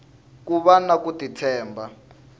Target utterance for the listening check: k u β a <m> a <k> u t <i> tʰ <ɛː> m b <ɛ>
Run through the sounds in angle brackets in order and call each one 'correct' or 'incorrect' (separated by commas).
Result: incorrect, correct, correct, correct, incorrect